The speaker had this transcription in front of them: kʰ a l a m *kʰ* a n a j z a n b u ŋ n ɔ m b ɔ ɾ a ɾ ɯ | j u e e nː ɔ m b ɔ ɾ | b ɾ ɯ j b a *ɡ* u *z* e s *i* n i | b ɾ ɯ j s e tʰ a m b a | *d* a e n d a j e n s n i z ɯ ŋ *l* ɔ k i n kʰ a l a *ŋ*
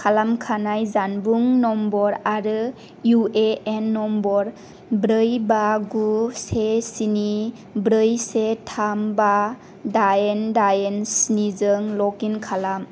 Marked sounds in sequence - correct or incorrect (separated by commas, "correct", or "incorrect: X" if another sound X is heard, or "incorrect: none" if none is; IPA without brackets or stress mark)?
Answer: correct, correct, incorrect: s, correct, correct, correct, incorrect: m